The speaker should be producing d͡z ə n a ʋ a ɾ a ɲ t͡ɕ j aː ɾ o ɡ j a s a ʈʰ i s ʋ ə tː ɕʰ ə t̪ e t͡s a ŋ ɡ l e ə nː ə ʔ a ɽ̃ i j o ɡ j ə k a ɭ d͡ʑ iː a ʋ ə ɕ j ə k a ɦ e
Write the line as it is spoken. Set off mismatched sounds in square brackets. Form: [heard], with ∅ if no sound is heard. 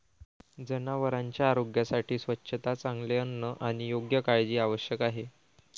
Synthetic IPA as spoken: d͡z ə n a ʋ [ə] ɾ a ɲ t͡ɕ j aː ɾ o ɡ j a s a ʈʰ [iː] s ʋ ə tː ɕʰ ə t̪ [a] t͡s a ŋ ɡ l e ə nː ə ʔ a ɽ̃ i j o ɡ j ə k a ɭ d͡ʑ iː a ʋ ə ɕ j ə k a ɦ e